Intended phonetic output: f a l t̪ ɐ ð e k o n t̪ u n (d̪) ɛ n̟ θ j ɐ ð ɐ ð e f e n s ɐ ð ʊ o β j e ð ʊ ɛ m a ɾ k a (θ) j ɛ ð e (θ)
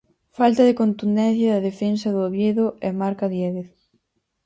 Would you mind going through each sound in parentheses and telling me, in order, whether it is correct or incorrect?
correct, incorrect: ð, correct

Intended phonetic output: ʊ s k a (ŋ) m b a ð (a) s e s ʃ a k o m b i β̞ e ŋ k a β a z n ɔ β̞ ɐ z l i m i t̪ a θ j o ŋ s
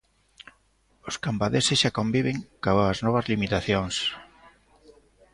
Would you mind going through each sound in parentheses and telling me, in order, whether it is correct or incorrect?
incorrect: none, incorrect: e

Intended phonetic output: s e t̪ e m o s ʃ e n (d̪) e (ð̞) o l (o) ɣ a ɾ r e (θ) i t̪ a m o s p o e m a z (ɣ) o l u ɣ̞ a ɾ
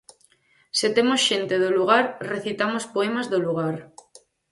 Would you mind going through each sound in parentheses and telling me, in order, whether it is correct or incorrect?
incorrect: t̪, correct, incorrect: u, correct, incorrect: ð

